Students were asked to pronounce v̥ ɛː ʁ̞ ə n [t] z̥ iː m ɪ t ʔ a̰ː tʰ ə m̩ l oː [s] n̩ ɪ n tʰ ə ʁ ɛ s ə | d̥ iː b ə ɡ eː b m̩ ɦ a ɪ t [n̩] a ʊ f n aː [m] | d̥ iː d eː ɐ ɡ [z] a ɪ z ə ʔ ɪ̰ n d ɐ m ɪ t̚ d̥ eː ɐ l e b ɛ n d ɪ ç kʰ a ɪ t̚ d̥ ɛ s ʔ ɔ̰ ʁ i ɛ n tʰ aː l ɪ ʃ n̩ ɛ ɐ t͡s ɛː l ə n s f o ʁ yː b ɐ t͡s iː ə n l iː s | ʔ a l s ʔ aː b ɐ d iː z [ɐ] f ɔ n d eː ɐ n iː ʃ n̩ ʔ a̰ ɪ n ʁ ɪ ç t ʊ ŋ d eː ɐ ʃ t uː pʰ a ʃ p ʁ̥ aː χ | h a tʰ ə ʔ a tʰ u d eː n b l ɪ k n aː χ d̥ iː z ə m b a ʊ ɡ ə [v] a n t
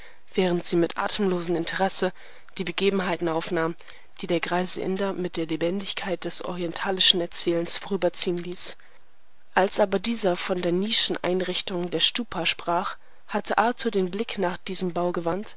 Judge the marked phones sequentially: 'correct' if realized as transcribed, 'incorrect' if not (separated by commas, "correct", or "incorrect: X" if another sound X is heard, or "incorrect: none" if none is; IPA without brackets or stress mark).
correct, incorrect: z, correct, correct, incorrect: ʁ, correct, correct